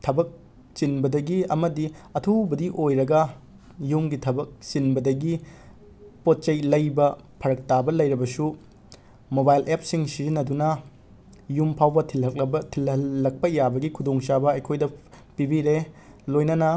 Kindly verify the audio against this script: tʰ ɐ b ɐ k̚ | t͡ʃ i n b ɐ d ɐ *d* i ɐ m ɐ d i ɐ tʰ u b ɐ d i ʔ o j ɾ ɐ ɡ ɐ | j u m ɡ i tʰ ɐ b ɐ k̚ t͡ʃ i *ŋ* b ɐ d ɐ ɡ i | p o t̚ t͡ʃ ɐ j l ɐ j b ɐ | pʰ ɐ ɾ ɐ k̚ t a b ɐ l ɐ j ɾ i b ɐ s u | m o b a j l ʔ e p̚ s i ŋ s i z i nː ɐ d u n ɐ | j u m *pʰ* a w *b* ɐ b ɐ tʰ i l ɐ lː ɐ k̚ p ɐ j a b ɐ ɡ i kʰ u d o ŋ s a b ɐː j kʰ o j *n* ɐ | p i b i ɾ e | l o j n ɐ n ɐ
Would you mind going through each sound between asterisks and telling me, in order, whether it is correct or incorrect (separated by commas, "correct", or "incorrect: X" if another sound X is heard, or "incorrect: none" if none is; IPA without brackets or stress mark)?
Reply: incorrect: ɡ, incorrect: n, correct, correct, incorrect: d